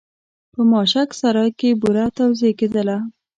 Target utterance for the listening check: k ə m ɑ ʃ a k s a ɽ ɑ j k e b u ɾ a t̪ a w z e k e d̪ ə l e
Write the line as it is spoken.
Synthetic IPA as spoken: p ə m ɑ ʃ a k s a ɾ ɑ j k e b u ɾ a t̪ a w z e k e d̪ ə l a